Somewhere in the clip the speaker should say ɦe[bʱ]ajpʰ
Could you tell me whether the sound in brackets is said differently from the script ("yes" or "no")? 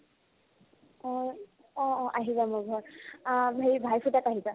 no